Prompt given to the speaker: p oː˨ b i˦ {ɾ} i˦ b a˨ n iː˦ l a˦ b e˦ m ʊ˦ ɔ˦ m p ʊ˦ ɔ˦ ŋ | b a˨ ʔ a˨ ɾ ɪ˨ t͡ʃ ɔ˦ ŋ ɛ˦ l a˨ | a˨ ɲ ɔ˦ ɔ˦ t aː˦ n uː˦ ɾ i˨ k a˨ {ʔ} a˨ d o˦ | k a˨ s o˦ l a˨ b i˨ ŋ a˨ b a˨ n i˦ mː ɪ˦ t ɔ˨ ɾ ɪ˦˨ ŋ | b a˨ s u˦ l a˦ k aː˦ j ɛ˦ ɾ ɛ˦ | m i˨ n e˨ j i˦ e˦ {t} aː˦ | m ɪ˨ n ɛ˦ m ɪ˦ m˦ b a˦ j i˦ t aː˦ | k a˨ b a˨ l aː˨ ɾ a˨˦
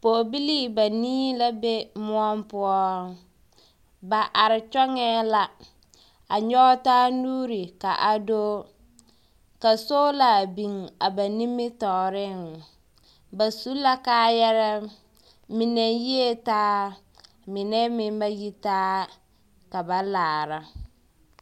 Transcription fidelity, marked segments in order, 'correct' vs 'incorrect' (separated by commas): incorrect, correct, correct